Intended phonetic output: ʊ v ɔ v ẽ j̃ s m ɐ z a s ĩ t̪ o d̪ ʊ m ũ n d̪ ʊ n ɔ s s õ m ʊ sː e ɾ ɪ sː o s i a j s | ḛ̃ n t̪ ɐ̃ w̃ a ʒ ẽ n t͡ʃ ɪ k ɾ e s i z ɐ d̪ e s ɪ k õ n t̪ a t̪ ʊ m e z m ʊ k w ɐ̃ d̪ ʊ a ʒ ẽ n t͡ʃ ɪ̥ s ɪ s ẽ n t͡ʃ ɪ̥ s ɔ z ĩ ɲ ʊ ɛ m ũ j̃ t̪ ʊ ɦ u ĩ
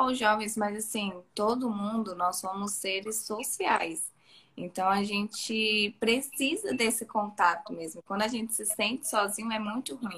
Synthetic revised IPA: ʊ ʒ ɔ v ẽ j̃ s m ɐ z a s ĩ t̪ o d̪ ʊ m ũ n d̪ ʊ n ɔ s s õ m ʊ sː e ɾ ɪ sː o s i a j s | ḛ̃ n t̪ ɐ̃ w̃ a ʒ ẽ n t͡ʃ ɪ p ɾ e s i z ɐ d̪ e s ɪ k õ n t̪ a t̪ ʊ m e z m ʊ k w ɐ̃ d̪ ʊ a ʒ ẽ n t͡ʃ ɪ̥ s ɪ s ẽ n t͡ʃ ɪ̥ s ɔ z ĩ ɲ ʊ ɛ m ũ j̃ t̪ ʊ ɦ u ĩ